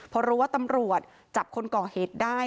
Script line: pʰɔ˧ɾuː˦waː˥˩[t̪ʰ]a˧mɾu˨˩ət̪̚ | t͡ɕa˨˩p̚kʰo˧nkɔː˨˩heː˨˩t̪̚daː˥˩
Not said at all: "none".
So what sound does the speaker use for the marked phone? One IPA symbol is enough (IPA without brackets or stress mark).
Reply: t̪